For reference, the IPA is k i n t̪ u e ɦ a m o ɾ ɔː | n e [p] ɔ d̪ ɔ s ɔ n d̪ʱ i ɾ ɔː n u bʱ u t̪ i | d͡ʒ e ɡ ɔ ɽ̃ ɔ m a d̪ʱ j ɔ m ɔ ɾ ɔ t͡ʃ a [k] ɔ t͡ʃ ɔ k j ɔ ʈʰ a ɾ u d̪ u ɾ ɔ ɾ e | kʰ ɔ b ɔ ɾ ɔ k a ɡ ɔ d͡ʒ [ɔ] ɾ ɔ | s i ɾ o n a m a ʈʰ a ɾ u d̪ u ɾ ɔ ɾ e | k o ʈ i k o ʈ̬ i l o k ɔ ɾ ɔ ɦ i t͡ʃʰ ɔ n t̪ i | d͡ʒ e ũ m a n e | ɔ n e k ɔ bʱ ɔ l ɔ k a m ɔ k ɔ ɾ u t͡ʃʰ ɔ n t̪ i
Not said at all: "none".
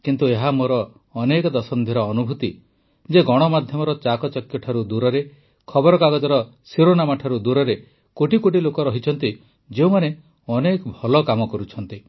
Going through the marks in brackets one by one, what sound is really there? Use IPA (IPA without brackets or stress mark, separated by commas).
k, k, ɔ